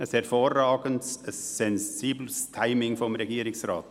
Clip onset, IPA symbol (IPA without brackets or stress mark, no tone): ə